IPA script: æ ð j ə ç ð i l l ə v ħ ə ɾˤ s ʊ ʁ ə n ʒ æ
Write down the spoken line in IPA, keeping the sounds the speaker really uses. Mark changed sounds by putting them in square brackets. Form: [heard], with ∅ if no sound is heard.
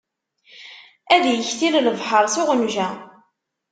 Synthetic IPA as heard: æ ð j ə ç [θ] i l l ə v ħ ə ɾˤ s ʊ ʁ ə n ʒ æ